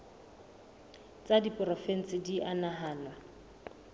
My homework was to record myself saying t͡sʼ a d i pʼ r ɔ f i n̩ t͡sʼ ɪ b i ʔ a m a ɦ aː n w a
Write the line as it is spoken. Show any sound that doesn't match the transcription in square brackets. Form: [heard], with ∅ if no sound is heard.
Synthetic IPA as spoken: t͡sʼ a d i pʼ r ɔ f [ɛ] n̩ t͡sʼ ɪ [d] i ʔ a [n] a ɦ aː n w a